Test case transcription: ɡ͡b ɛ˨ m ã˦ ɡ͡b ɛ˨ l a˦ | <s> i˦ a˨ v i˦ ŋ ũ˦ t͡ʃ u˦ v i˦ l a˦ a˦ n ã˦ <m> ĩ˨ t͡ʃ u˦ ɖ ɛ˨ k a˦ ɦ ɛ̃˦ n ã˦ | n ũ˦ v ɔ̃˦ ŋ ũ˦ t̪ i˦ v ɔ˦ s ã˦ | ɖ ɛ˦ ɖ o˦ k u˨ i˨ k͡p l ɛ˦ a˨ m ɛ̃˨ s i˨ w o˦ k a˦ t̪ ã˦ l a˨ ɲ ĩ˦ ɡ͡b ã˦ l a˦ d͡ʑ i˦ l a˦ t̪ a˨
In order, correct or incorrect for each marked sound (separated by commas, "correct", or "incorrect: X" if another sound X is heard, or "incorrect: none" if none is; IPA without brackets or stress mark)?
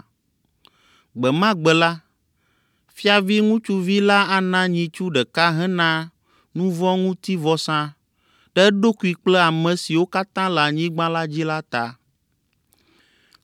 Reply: incorrect: f, incorrect: ɲ